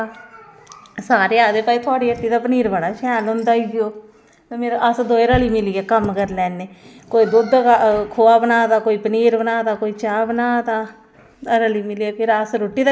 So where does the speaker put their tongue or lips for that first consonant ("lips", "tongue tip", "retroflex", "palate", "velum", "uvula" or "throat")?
tongue tip